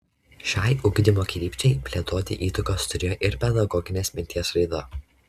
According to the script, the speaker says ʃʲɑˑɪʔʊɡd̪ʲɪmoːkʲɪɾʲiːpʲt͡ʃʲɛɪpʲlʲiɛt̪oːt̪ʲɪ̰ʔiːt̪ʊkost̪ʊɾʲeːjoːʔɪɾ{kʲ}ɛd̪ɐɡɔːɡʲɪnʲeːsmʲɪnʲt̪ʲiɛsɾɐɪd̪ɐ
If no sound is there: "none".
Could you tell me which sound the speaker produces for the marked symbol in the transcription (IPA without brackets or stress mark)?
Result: pʲ